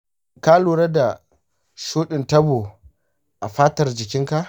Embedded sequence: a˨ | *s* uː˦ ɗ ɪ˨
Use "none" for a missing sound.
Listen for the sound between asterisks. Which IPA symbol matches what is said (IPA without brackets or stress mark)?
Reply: ʃ